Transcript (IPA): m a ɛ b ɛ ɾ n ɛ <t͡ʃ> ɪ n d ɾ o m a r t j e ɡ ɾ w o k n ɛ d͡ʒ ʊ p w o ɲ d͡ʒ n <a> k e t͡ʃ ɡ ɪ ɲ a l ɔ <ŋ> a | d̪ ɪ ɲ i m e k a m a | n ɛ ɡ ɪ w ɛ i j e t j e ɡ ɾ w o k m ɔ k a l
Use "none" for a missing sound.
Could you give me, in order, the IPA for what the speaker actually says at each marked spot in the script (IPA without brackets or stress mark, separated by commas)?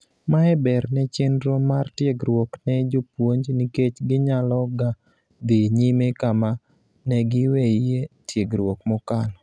t͡ʃ, i, ɡ